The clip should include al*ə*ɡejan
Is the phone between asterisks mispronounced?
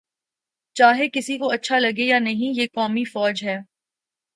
yes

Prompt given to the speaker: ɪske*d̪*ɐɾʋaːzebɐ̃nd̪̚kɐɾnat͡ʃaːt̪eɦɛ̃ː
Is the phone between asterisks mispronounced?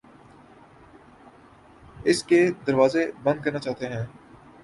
no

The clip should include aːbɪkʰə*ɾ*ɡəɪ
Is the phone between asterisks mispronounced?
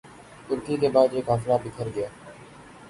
no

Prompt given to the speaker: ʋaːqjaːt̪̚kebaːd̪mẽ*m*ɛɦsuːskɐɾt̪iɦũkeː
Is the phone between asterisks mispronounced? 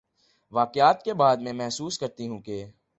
no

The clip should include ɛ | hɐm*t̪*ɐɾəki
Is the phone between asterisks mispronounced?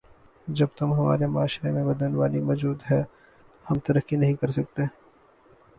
no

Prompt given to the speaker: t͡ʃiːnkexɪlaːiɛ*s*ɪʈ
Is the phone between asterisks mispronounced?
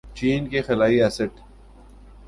no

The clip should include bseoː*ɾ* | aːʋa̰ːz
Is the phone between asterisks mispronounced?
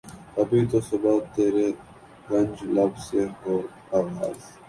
no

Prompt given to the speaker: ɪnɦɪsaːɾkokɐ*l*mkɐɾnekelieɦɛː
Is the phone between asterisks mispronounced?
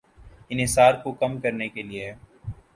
yes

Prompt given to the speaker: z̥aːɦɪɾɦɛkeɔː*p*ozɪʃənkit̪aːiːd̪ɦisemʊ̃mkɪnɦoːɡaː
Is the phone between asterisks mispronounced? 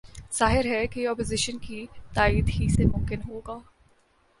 no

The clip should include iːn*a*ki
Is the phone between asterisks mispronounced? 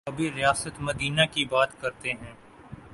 no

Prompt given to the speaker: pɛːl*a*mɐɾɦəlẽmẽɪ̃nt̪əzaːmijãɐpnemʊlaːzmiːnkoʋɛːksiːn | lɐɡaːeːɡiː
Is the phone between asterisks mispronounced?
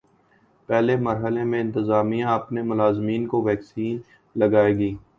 yes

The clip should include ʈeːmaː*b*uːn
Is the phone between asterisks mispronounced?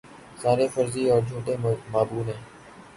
no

